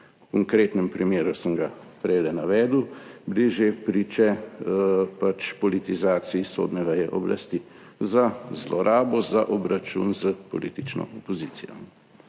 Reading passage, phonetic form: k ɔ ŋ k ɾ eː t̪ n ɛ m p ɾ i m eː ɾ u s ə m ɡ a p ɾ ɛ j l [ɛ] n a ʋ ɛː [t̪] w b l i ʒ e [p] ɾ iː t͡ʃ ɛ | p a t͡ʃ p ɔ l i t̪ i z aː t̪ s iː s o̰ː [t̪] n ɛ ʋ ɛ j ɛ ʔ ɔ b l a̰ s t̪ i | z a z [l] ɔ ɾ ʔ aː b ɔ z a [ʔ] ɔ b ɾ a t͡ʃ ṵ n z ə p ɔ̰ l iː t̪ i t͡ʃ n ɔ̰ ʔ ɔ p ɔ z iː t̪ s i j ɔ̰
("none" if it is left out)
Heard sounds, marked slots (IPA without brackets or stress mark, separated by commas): ɛ, d̪, p, d̪, l, ʔ